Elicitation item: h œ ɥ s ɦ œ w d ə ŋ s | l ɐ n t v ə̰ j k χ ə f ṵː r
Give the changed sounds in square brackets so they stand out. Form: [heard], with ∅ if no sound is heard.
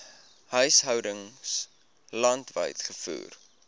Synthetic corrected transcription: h œ ɥ s ɦ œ w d ə ŋ s | l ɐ n t v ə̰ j [t] χ ə f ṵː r